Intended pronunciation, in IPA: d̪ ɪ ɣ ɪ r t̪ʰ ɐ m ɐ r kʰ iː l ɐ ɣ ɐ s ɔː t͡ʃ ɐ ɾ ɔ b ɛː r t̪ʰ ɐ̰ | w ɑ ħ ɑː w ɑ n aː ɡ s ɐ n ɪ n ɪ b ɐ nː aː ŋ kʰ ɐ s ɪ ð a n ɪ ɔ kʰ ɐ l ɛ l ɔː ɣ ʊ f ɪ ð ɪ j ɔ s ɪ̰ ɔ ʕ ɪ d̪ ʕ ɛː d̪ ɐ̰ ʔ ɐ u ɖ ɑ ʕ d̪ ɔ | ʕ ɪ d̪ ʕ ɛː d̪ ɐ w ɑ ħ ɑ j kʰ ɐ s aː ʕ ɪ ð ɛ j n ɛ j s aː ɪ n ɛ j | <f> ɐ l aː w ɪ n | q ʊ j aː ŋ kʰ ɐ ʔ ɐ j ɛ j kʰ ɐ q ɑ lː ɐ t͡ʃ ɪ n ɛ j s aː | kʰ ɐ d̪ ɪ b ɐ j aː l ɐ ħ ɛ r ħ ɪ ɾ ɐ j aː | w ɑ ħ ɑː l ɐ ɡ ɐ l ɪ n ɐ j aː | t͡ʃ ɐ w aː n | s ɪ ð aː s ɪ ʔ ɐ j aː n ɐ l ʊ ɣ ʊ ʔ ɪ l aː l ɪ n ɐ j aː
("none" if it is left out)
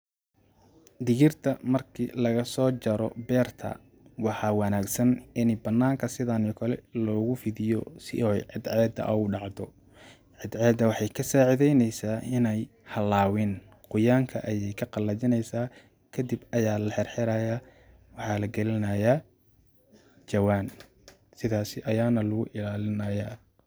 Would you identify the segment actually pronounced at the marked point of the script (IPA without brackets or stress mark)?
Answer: h